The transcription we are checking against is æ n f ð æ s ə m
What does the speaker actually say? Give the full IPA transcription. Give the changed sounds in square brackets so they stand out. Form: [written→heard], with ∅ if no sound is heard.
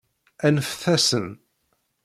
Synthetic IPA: æ n f [ð→θ] æ s ə [m→n]